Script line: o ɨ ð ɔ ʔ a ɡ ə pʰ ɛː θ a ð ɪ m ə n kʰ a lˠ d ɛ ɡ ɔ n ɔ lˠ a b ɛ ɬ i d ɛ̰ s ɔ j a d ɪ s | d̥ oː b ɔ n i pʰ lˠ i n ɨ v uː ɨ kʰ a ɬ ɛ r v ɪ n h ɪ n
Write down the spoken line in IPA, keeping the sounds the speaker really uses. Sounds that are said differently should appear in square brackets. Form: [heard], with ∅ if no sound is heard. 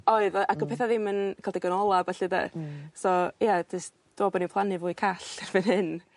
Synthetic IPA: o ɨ ð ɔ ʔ a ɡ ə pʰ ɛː θ a ð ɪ m ə n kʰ a lˠ d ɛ ɡ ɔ n ɔ lˠ a b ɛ ɬ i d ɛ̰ s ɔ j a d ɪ s | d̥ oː b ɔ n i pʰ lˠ [a] n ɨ v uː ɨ kʰ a ɬ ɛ r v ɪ n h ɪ n